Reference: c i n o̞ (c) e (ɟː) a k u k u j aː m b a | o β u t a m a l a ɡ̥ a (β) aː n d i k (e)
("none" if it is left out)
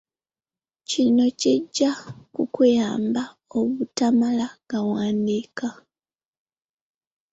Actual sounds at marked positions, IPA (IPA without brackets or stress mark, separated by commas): c, ɟː, w, a